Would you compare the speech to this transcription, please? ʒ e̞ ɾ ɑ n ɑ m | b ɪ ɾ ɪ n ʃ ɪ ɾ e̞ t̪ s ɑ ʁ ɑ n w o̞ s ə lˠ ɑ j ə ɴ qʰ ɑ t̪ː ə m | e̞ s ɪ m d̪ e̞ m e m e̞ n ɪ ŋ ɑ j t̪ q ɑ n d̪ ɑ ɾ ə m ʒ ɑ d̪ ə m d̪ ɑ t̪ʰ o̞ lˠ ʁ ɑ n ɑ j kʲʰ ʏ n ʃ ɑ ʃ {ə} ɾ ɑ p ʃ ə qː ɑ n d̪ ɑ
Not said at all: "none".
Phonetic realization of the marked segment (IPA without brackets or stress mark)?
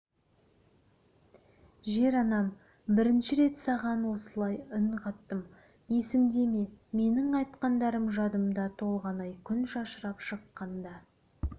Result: ə